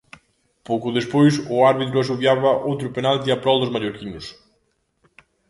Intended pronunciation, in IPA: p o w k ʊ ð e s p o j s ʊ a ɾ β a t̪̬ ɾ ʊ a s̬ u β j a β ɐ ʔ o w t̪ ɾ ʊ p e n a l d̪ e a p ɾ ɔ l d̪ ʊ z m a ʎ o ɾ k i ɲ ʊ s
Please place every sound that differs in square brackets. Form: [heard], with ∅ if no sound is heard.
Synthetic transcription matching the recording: p o w k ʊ ð e s p o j s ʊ a ɾ β [i] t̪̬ ɾ ʊ a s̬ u β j a β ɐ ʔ o w t̪ ɾ ʊ p e n a l [t̪] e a p ɾ ɔ l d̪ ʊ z m a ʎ o ɾ k i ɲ ʊ s